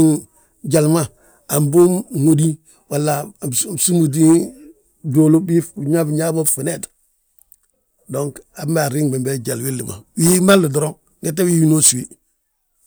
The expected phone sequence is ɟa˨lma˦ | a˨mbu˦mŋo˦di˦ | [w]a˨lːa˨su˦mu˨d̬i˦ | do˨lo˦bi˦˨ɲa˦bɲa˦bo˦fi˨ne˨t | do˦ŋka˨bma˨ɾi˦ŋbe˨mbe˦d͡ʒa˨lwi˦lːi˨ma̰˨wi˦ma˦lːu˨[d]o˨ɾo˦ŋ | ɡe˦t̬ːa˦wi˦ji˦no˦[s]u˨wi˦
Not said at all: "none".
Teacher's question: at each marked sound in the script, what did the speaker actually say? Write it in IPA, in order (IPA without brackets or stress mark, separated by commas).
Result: w, d, s